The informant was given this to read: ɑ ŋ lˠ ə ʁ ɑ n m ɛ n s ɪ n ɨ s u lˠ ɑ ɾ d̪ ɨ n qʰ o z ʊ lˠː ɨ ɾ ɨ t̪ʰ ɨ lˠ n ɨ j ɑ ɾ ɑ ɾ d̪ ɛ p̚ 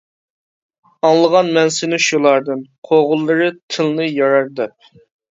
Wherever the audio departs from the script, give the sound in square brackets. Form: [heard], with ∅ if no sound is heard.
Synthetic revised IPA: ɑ ŋ lˠ ə ʁ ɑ n m ɛ n s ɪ n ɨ [ʃ] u lˠ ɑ ɾ d̪ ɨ n qʰ o [ʁ] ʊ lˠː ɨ ɾ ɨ t̪ʰ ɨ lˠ n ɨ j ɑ ɾ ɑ ɾ d̪ ɛ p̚